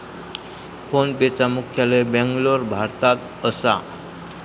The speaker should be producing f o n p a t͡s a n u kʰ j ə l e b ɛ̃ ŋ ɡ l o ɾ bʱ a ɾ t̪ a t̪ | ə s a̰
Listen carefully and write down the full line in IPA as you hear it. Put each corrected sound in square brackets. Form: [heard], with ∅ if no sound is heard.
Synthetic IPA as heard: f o n p [e] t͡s a [m] u kʰ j [a] l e b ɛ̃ ŋ ɡ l o ɾ bʱ a ɾ t̪ a t̪ | ə s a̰